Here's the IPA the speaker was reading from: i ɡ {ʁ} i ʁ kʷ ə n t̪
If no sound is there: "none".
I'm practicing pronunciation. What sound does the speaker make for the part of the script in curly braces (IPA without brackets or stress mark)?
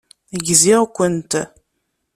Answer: z